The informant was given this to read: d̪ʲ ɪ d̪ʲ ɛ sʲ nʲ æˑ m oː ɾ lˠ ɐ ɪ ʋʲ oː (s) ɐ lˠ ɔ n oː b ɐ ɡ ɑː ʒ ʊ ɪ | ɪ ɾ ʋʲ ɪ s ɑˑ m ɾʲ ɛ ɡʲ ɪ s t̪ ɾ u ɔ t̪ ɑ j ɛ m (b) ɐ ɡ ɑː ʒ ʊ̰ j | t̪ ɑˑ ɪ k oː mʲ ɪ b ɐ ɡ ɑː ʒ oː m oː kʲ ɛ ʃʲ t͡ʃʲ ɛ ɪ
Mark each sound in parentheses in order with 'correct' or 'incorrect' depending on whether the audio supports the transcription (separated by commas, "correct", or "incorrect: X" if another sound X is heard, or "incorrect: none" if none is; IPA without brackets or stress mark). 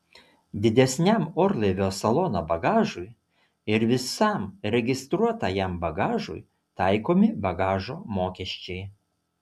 correct, correct